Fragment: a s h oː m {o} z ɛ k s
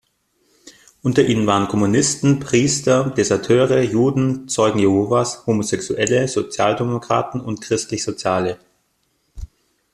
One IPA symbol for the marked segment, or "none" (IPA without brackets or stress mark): o